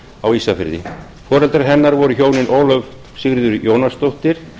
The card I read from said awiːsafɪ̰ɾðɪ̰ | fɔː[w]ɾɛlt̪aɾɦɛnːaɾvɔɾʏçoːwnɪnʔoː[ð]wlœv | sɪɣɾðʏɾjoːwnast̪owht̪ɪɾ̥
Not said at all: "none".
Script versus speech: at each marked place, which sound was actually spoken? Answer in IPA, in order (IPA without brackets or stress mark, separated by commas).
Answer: none, none